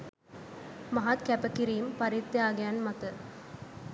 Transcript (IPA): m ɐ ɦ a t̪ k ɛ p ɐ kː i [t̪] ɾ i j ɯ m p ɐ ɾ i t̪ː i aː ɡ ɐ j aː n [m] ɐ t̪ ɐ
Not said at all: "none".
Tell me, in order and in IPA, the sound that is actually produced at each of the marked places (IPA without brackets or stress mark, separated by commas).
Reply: none, m